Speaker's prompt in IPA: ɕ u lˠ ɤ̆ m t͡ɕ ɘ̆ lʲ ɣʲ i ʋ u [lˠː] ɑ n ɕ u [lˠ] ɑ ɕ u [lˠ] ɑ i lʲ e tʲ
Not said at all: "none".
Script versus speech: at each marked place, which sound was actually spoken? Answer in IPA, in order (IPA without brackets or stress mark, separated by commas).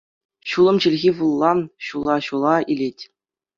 lˠː, lˠ, lˠ